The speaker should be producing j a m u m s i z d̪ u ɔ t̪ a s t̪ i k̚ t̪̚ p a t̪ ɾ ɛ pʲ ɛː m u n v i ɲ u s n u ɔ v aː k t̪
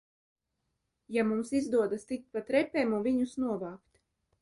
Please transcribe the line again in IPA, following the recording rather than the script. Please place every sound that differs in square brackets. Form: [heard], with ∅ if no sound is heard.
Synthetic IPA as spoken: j a m u m s i z d̪ u ɔ [d̪] a s t̪ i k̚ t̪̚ p a t̪ ɾ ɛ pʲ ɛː m u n v i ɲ u s n u ɔ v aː k t̪